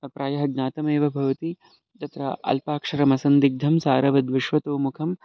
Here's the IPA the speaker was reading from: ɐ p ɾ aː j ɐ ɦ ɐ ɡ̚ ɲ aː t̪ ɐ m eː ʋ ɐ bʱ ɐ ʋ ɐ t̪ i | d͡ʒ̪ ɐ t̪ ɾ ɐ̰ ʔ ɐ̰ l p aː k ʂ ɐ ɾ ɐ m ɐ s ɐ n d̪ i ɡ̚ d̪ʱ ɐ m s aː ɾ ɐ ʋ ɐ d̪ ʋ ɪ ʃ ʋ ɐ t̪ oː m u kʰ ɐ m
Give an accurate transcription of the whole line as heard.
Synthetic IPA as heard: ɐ p ɾ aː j ɐ ɦ ɐ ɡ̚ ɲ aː t̪ ɐ m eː ʋ ɐ bʱ ɐ ʋ ɐ t̪ i | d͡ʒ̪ ɐ t̪ ɾ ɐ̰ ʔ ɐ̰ l p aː k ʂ ɐ ɾ ɐ m ɐ s ɐ n d̪ i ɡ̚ d̪ʱ ɐ m s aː ɾ ɐ ʋ ɐ d̪ ʋ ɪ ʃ ʋ ɐ t̪ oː m u kʰ ɐ m